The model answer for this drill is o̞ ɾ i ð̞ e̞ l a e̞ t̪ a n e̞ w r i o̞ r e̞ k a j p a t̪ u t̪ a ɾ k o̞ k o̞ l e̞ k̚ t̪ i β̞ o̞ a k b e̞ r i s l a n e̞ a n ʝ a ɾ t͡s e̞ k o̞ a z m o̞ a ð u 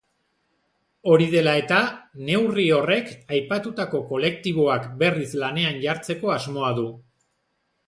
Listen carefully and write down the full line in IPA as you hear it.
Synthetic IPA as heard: o̞ ɾ i ð̞ e̞ l a e̞ t̪ a n e̞ w r i o̞ r e̞ k a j p a t̪ u t̪ a k o̞ k o̞ l e̞ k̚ t̪ i β̞ o̞ a k b e̞ r i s l a n e̞ a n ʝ a ɾ t͡s e̞ k o̞ a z m o̞ a ð u